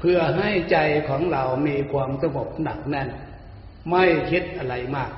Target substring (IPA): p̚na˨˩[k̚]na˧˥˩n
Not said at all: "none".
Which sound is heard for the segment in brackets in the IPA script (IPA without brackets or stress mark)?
k̚